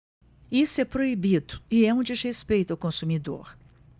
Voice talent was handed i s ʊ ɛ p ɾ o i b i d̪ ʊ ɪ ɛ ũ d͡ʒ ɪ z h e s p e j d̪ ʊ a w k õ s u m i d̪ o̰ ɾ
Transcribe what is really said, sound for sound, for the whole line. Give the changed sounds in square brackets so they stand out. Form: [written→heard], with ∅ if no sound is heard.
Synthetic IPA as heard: i s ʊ ɛ p ɾ o i b i d̪ ʊ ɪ ɛ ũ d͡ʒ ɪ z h e s p e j [d̪→t̪] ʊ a w k õ s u m i d̪ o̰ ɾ